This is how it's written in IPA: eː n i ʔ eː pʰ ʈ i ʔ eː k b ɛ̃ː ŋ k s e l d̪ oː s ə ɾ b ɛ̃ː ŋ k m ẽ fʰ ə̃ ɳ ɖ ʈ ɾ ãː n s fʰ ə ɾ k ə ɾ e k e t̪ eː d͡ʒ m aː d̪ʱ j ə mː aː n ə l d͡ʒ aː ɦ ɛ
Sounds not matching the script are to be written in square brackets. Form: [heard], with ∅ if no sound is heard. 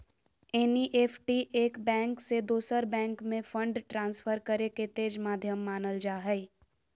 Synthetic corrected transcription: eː n i ʔ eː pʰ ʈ i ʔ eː k b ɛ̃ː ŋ k s e [∅] d̪ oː s ə ɾ b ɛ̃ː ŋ k m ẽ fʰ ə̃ ɳ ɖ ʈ ɾ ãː n s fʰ ə ɾ k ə ɾ e k e t̪ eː d͡ʒ m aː d̪ʱ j ə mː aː n ə l d͡ʒ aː ɦ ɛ